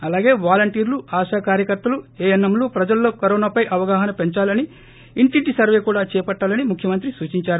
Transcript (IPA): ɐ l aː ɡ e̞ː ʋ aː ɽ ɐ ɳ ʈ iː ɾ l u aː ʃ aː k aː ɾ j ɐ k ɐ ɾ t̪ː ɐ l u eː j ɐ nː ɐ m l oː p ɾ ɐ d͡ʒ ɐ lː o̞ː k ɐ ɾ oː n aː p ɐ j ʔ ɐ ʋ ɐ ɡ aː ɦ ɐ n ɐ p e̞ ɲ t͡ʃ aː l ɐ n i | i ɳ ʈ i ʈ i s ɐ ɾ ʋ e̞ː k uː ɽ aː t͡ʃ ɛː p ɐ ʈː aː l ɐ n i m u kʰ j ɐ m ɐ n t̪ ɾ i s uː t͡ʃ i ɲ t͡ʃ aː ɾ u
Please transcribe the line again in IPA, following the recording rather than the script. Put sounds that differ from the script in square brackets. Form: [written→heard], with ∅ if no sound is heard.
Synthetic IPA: ɐ l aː ɡ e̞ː ʋ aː [ɽ→l] ɐ ɳ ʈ iː ɾ l u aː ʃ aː k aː ɾ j ɐ k ɐ ɾ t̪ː ɐ l u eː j ɐ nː ɐ m l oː p ɾ ɐ d͡ʒ ɐ lː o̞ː k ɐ ɾ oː n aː p ɐ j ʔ ɐ ʋ ɐ ɡ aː ɦ ɐ n ɐ p e̞ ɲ t͡ʃ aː l ɐ n i | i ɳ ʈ i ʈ i s ɐ ɾ ʋ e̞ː k uː ɽ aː t͡ʃ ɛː p ɐ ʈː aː l ɐ n i m u kʰ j ɐ m ɐ n t̪ ɾ i s uː t͡ʃ i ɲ t͡ʃ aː ɾ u

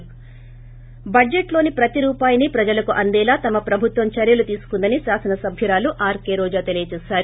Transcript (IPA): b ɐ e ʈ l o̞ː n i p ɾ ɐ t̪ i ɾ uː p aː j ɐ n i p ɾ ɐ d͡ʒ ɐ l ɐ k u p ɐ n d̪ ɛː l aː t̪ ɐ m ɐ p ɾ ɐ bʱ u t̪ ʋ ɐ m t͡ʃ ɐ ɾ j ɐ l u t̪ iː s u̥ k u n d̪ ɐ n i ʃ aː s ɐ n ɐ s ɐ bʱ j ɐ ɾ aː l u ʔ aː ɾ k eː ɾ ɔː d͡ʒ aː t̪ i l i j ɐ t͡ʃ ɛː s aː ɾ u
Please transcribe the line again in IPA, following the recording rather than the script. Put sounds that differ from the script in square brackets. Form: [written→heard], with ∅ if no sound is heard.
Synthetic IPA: b ɐ e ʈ l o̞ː n i p ɾ ɐ t̪ i ɾ uː p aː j ɐ n i p ɾ ɐ d͡ʒ ɐ l ɐ k u [p→ʔ] ɐ n d̪ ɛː l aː t̪ ɐ m ɐ p ɾ ɐ bʱ u t̪ ʋ ɐ m t͡ʃ ɐ ɾ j ɐ l u t̪ iː s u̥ k u n d̪ ɐ n i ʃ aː s ɐ n ɐ s ɐ bʱ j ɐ ɾ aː l u ʔ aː ɾ k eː ɾ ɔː d͡ʒ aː t̪ [i→e] l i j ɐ t͡ʃ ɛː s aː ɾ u

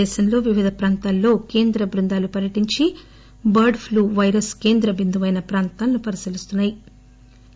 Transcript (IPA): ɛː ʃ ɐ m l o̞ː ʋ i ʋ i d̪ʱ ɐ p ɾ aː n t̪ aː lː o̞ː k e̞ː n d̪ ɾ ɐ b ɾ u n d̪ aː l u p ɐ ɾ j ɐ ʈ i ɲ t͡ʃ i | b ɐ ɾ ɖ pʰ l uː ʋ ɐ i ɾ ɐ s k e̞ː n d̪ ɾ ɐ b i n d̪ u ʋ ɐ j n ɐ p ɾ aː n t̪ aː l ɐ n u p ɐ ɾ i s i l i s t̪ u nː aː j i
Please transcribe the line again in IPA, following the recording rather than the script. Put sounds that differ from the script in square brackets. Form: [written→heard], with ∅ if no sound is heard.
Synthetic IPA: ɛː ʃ ɐ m l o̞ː ʋ i ʋ i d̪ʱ ɐ p ɾ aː n t̪ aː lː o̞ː k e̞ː n d̪ ɾ ɐ b ɾ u n d̪ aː l u p ɐ ɾ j ɐ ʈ i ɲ t͡ʃ i | b ɐ ɾ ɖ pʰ l uː ʋ ɐ [i→j] ɾ ɐ s k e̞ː n d̪ ɾ ɐ b i n d̪ u ʋ ɐ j n ɐ p ɾ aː n t̪ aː l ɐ n u p ɐ ɾ i s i l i s t̪ u nː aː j i

